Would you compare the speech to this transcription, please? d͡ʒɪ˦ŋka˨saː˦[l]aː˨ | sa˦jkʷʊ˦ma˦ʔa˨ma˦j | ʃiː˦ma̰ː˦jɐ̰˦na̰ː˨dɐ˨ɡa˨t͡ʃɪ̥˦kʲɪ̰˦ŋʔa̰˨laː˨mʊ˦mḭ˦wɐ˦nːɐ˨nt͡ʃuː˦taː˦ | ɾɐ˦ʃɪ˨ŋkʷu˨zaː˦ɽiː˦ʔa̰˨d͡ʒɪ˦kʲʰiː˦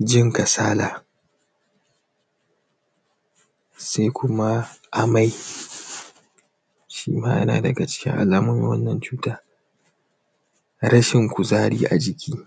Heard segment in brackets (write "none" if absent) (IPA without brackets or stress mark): l